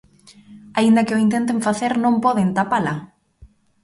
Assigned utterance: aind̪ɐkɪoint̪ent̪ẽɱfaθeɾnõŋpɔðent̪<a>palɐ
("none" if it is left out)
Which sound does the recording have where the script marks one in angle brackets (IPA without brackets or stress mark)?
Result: a